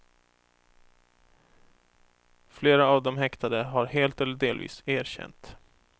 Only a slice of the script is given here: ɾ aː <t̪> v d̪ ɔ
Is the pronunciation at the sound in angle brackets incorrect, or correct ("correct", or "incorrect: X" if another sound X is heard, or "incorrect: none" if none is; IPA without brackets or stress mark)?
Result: incorrect: none